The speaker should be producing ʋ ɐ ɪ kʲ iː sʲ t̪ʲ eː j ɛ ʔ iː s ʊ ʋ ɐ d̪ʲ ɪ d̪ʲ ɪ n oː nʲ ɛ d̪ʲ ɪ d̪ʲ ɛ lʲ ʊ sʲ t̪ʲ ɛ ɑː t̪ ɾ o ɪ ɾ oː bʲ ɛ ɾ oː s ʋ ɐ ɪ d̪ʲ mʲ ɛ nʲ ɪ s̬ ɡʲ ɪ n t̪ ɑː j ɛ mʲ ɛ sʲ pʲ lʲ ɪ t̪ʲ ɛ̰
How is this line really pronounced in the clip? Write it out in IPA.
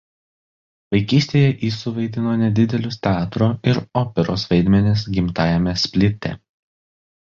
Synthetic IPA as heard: ʋ ɐ ɪ kʲ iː sʲ t̪ʲ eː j ɛ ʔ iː s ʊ ʋ ɐ ɪ d̪ʲ ɪ n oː nʲ ɛ d̪ʲ ɪ d̪ʲ ɛ lʲ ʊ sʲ t̪ʲ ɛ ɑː t̪ ɾ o ɪ ɾ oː pʲ ɛ ɾ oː s ʋ ɐ ɪ d̪ʲ mʲ ɛ nʲ ɪ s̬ ɡʲ ɪ m t̪ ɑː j ɛ mʲ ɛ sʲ pʲ lʲ ɪ t̪ʲ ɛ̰